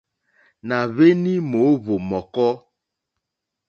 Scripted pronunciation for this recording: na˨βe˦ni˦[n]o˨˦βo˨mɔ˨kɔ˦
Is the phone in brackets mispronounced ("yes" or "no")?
yes